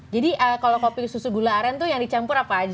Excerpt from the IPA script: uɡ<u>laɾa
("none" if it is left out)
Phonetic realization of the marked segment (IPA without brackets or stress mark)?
u